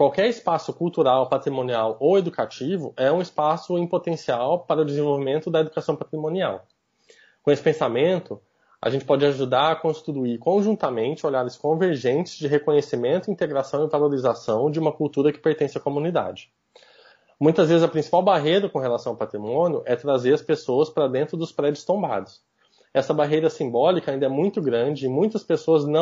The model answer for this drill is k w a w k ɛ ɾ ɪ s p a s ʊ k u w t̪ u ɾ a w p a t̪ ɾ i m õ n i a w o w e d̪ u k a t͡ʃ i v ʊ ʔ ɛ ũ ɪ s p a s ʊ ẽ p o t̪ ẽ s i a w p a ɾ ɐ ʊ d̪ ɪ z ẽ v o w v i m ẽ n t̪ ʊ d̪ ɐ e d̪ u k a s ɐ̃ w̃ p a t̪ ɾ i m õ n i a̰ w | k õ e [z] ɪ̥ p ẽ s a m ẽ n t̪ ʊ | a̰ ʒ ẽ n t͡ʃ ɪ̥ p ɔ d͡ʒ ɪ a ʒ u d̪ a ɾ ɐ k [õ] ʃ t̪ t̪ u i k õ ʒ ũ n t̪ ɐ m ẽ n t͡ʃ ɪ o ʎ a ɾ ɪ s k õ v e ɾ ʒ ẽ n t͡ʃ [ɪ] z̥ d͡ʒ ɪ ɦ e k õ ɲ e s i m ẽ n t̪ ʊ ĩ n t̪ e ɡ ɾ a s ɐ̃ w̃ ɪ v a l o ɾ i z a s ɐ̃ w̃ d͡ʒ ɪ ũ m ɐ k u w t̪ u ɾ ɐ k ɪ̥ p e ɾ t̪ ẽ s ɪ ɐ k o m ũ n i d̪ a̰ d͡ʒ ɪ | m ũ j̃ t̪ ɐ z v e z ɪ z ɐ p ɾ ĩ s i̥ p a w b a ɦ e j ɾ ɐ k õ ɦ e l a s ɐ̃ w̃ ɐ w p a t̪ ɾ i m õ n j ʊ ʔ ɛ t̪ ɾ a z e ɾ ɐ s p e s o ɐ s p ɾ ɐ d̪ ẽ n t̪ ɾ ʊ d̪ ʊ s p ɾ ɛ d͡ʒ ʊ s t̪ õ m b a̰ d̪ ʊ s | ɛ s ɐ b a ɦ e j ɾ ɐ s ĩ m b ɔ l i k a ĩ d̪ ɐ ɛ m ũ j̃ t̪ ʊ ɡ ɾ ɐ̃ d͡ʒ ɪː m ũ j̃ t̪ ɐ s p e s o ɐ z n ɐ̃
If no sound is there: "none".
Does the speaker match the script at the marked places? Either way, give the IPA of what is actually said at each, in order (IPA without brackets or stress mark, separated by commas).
s, õ, ɪ